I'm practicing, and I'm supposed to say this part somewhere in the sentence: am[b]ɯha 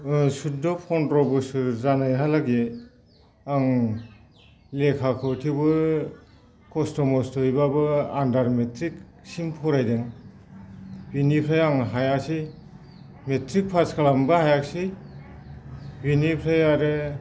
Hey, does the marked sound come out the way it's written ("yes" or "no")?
yes